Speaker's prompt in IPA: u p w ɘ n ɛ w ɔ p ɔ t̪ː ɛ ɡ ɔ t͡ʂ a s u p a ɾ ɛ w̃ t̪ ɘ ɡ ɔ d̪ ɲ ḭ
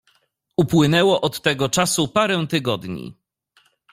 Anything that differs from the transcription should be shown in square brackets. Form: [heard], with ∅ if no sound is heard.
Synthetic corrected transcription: u p w ɘ n ɛ w ɔ [ʔ] ɔ t̪ː ɛ ɡ ɔ t͡ʂ a s u p a ɾ ɛ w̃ t̪ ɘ ɡ ɔ d̪ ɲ ḭ